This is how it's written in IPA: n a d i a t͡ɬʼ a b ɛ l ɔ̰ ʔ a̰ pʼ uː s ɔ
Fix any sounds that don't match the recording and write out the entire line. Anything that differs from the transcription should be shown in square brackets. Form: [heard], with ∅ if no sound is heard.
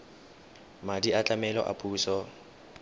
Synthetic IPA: [m] a d i a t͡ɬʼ a [m] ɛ l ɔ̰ ʔ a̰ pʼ uː s ɔ